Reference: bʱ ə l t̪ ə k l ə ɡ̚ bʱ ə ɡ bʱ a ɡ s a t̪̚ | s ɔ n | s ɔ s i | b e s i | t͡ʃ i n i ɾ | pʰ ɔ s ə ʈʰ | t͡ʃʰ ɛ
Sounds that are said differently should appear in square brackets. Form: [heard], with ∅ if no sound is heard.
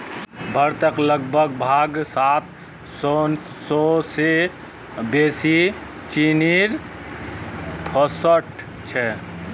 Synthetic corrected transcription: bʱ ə [ɾ] t̪ ə k l ə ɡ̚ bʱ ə ɡ bʱ a ɡ s a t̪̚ | s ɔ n | s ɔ s [e] | b e s i | t͡ʃ i n i ɾ | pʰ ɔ s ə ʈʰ | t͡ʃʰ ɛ